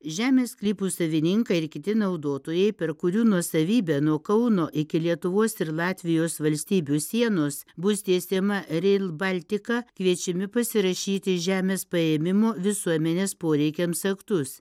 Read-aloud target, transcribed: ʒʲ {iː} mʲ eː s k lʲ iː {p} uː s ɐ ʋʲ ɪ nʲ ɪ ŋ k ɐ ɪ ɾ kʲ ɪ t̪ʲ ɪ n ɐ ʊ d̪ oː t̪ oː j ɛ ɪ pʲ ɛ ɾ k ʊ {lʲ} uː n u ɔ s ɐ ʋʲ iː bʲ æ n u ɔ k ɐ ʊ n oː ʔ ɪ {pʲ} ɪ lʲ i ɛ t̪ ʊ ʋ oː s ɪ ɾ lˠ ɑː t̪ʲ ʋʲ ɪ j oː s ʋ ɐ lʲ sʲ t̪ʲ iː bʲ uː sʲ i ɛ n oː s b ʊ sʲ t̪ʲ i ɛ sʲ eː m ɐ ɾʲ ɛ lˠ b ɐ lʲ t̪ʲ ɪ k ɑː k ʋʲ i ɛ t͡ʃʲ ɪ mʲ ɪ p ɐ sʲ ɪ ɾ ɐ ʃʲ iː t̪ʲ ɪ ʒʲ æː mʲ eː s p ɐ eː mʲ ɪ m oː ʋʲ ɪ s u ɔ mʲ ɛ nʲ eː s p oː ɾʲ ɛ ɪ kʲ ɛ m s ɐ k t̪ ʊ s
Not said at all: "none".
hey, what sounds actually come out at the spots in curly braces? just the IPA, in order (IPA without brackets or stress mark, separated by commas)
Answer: æː, p, ɾʲ, kʲ